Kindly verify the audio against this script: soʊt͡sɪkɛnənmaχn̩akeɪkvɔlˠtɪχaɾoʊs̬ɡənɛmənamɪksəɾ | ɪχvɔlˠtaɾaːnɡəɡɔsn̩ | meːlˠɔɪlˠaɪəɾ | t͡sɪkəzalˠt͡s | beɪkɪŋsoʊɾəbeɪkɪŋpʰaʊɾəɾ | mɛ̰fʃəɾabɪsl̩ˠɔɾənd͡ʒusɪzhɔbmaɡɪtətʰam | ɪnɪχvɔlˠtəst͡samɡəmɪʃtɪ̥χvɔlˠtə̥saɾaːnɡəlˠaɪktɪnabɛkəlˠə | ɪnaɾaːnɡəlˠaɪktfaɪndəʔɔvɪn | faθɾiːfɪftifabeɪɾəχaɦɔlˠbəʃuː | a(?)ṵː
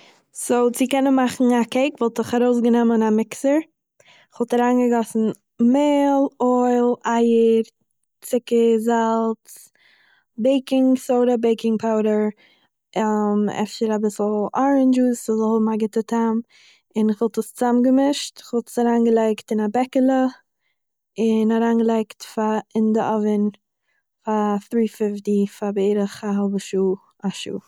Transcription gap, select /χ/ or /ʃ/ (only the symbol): ʃ